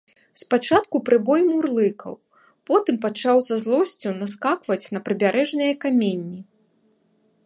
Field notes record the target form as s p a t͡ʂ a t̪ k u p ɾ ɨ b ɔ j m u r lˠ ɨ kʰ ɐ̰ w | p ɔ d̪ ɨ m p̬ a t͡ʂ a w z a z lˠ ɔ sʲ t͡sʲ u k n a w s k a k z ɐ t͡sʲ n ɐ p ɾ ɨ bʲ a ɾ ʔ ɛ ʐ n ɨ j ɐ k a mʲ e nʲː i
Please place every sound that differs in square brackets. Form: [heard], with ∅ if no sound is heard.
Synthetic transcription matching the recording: s p a t͡ʂ a t̪ k u p ɾ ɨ b ɔ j m u r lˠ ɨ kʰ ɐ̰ w | p ɔ [t̪] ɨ m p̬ a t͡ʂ a w z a z lˠ ɔ sʲ t͡sʲ u [∅] n a [∅] s k a k [v] ɐ t͡sʲ n ɐ p ɾ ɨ bʲ a ɾ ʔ ɛ ʐ n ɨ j ɐ k a mʲ e nʲː i